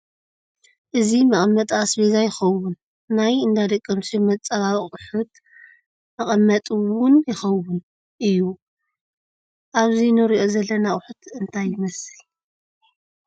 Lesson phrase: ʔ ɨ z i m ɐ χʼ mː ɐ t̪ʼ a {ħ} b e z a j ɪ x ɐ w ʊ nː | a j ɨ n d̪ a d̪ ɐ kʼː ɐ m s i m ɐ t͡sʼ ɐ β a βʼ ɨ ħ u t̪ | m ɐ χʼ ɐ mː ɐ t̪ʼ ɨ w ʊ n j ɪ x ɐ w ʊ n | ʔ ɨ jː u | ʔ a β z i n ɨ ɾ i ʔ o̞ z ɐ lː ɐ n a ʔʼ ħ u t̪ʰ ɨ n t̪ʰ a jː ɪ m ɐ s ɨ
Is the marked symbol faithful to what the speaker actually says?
no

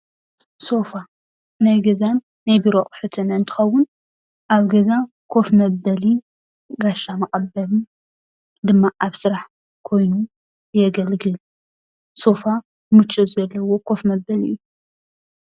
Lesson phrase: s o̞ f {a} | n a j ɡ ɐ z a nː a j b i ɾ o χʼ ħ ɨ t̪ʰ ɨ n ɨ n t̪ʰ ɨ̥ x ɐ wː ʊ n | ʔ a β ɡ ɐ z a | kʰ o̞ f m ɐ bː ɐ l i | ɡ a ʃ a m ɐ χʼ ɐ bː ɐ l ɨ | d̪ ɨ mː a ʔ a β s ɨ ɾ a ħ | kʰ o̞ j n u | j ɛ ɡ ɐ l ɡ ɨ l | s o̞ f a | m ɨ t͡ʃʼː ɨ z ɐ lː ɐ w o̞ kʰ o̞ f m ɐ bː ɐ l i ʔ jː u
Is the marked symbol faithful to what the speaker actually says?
yes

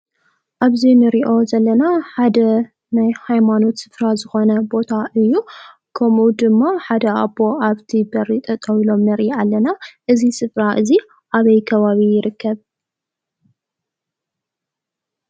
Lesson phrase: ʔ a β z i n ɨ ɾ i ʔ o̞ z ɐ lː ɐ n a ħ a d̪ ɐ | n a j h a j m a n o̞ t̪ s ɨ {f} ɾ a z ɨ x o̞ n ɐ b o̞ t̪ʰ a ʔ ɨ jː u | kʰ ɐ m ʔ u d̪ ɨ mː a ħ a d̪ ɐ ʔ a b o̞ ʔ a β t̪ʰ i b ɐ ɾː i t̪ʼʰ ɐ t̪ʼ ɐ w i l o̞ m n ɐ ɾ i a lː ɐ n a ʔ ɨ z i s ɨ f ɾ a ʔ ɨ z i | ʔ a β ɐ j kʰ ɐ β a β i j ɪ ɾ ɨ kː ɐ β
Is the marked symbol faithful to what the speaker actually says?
yes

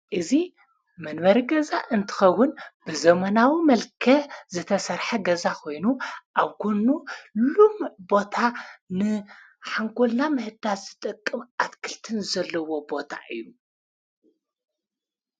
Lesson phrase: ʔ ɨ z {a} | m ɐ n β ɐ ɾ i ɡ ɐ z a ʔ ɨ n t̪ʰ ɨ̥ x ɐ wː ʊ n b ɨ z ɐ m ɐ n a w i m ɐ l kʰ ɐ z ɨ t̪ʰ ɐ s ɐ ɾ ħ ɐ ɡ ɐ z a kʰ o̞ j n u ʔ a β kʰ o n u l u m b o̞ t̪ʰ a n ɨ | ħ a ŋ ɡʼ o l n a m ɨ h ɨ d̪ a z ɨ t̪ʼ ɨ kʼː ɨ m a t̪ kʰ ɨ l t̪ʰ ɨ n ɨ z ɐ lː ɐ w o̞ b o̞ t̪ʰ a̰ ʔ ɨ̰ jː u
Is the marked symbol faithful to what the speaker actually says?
no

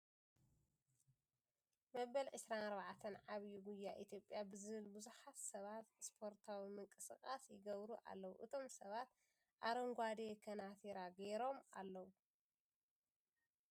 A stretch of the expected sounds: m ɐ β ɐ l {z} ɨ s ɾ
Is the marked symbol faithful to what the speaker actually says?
no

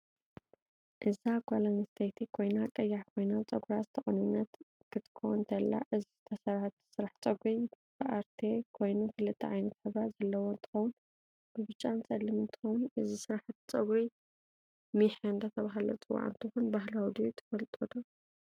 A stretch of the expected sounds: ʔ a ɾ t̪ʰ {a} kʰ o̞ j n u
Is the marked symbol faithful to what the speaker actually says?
no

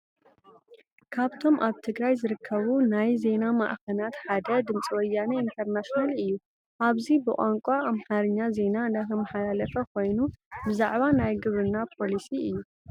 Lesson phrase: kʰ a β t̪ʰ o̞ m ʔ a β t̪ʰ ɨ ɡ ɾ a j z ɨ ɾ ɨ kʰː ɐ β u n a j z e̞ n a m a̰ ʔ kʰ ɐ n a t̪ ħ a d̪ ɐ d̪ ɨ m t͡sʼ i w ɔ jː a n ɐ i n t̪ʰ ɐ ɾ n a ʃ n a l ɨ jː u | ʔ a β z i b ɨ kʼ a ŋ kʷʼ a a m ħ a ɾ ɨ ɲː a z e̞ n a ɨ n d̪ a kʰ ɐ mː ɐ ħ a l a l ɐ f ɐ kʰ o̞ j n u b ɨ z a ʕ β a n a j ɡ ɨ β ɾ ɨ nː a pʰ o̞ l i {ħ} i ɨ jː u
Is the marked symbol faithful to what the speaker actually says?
no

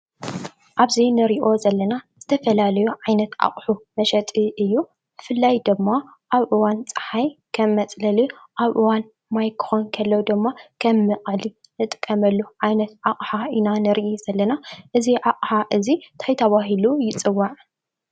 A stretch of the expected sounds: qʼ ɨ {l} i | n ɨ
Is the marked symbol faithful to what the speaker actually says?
yes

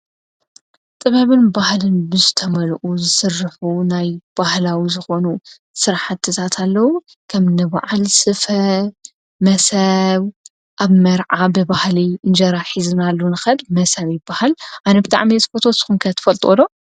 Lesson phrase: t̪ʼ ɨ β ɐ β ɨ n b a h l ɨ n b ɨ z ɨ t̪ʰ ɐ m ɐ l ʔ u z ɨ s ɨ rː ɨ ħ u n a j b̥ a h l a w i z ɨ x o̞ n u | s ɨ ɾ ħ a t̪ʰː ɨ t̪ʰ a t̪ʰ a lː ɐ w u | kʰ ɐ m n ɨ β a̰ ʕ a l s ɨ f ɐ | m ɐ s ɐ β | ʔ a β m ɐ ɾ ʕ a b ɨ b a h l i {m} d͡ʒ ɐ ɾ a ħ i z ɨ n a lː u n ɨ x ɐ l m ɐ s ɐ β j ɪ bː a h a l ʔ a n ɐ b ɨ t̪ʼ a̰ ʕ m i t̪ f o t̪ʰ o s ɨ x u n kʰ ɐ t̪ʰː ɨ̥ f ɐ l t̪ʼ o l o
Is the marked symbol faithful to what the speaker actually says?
no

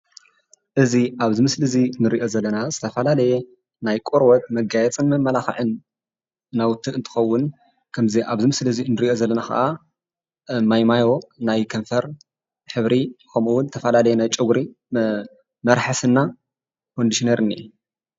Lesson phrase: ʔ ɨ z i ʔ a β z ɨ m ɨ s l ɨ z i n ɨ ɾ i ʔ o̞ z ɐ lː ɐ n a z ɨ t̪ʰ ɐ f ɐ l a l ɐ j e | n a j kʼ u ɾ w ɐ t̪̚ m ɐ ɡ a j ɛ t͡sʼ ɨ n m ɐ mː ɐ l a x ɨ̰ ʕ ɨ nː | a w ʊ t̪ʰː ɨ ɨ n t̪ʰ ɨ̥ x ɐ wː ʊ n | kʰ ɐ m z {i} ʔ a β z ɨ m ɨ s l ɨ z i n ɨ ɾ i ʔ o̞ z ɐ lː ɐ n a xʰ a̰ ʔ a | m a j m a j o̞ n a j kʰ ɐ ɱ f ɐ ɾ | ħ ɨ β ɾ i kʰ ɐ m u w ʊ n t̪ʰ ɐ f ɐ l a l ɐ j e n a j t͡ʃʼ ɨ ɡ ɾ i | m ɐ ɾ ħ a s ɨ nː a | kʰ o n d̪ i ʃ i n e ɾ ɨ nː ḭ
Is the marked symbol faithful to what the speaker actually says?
yes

